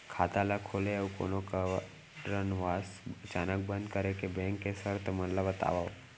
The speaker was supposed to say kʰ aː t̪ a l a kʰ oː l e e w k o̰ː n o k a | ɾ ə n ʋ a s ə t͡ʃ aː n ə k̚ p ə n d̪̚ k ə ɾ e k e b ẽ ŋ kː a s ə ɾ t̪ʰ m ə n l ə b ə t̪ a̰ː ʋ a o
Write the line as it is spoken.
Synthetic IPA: kʰ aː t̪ a l a kʰ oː l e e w k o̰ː n o k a | ɾ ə n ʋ a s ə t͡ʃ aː n ə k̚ b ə n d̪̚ k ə ɾ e k e b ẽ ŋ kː e s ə ɾ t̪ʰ m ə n l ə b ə t̪ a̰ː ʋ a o